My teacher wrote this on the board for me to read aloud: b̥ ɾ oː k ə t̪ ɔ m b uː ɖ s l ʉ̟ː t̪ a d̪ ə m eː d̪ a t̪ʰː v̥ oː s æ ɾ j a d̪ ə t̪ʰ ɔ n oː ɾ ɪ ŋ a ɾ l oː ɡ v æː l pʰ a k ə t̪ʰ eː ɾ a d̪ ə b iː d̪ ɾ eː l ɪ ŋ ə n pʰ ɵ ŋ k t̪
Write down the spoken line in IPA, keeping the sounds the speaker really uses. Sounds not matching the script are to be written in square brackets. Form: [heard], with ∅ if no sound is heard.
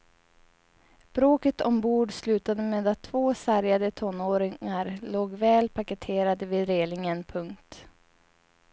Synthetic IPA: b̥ ɾ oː k ə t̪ ɔ m b uː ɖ s l ʉ̟ː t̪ a d̪ ə m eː d̪ a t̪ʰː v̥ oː s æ ɾ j a d̪ ə t̪ʰ ɔ n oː ɾ ɪ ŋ a ɾ l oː ɡ v [ɛː] l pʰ a k ə t̪ʰ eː ɾ a d̪ ə [v] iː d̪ ɾ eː l ɪ ŋ ə n pʰ ɵ ŋ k t̪